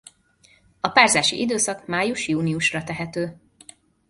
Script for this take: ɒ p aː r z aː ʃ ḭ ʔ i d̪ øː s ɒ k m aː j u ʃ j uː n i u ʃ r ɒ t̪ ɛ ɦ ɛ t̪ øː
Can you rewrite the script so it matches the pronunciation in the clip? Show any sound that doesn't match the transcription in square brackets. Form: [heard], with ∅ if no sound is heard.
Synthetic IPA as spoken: ɒ p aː r z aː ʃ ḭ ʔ i d̪ øː s ɒ k m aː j u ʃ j uː n i u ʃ r ɒ t̪ ɛ ɦ ɛ t̪ øː